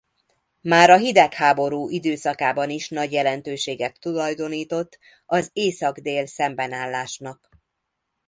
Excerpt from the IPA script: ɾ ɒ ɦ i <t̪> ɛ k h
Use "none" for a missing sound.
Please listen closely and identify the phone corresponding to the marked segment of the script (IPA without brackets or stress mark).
d̪